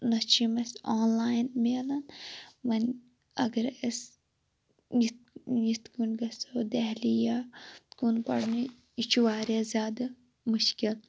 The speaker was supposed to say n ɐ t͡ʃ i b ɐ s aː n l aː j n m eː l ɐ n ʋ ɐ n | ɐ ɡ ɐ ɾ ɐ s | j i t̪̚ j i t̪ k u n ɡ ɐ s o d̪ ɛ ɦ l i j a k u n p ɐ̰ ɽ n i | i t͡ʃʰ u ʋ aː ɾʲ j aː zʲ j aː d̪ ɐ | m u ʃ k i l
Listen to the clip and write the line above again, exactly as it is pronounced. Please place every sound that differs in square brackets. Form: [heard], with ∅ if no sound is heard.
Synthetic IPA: n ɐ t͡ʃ i [m] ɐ s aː n l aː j n m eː l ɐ n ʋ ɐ n | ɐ ɡ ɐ ɾ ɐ s | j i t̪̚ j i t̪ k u n ɡ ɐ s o d̪ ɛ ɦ l i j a k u n p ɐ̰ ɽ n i | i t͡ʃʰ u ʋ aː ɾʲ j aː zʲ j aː d̪ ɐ | m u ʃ k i l